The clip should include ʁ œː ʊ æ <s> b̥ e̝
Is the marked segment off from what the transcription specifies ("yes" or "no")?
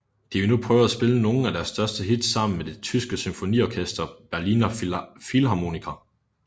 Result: no